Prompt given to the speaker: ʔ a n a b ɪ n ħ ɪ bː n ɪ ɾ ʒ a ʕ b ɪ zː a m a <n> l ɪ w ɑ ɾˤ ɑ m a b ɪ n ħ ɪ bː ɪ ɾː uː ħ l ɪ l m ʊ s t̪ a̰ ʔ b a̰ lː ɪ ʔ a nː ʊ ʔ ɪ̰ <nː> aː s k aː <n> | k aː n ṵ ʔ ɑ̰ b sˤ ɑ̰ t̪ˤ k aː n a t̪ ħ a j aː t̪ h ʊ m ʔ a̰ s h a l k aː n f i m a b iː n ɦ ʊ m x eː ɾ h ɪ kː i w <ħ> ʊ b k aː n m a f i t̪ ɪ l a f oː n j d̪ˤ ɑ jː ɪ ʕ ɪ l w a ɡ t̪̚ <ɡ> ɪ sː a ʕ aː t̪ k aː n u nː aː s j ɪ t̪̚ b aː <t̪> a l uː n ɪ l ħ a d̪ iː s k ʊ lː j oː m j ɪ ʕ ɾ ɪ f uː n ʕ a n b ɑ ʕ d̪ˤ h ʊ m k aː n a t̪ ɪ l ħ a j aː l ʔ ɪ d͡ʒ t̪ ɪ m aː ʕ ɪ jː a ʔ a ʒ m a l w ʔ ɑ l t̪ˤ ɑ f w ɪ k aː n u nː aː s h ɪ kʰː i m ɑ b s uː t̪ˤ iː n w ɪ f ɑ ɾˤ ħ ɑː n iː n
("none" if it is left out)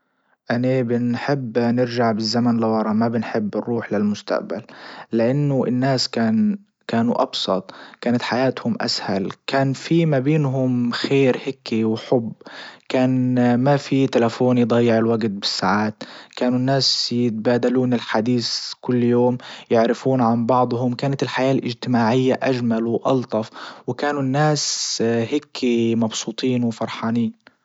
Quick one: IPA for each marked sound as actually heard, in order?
n, nː, n, ħ, b, d̪

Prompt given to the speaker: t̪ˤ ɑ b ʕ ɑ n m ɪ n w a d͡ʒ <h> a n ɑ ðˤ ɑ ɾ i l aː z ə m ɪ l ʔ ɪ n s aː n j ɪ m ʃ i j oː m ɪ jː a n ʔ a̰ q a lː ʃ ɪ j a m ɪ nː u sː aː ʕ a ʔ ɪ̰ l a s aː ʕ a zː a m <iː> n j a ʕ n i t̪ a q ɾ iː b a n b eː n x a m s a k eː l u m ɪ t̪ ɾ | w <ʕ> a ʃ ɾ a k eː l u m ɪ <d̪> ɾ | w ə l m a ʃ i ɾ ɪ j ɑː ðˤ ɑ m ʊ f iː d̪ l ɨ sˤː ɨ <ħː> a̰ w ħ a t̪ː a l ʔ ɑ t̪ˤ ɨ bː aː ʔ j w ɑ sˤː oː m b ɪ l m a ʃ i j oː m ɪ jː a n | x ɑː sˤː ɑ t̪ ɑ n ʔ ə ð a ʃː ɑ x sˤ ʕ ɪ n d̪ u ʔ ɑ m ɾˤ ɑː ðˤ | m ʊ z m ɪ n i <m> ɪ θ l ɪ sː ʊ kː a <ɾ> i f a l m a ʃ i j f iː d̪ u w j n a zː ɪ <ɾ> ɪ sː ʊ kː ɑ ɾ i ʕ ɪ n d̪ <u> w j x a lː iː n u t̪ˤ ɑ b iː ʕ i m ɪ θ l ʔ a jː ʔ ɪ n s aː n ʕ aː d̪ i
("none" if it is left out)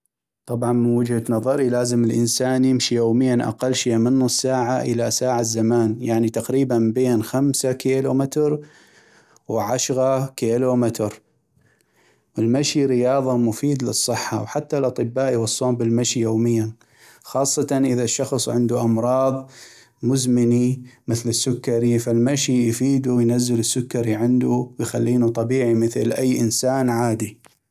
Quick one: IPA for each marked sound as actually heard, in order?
h, aː, ʕ, t̪, ħː, m, ɾ, l, u

